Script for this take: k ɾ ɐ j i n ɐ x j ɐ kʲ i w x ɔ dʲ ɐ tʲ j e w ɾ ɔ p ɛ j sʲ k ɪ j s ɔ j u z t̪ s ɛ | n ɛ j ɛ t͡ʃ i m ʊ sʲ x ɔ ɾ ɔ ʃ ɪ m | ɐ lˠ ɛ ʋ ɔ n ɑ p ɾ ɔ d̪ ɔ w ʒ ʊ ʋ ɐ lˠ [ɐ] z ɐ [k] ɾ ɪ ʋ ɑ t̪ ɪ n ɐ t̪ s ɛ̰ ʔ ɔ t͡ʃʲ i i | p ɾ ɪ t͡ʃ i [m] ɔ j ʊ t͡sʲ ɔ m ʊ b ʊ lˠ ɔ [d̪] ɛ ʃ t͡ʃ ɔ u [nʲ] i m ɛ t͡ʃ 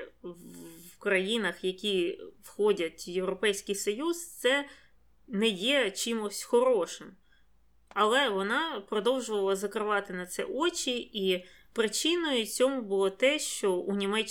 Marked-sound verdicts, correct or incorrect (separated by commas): correct, correct, incorrect, incorrect, correct